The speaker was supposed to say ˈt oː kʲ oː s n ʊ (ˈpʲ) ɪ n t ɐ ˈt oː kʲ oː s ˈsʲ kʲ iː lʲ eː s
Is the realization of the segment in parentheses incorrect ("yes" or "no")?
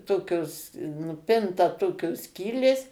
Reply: no